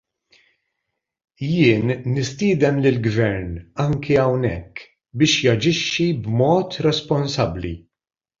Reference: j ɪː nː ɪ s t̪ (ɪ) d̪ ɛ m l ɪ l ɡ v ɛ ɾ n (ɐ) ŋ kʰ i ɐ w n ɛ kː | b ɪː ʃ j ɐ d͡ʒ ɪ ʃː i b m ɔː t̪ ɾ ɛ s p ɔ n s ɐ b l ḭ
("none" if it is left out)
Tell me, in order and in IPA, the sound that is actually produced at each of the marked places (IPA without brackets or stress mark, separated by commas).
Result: ɪː, ɐ